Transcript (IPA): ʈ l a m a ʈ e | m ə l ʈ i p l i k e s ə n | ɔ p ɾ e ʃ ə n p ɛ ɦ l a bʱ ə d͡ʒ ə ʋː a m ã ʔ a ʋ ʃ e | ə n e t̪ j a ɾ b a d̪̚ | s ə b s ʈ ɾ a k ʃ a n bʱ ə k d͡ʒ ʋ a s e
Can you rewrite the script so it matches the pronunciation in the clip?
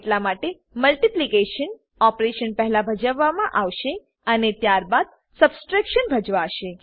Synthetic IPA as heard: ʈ l a m a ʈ e | m ə l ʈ i p l i k e ʃ ə n | ɔ p ɾ e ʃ ə n p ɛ ɦ l a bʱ ə d͡ʒ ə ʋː a m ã ʔ a ʋ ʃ e | ə n e t̪ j a ɾ b a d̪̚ | s ə b s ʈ ɾ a k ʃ ə n bʱ ə d͡ʒ ʋ a ʃ e